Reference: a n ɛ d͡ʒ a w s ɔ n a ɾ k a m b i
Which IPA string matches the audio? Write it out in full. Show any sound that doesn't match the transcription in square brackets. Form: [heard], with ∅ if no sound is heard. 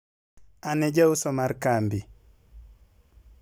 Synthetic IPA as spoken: a n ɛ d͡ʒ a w s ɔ [m] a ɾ k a m b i